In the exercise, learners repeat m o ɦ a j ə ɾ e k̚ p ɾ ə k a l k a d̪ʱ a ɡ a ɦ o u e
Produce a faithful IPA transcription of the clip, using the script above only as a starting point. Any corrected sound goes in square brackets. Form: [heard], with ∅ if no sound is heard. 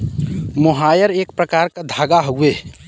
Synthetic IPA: m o ɦ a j ə ɾ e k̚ p ɾ ə k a [ɾ] k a d̪ʱ a ɡ a ɦ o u e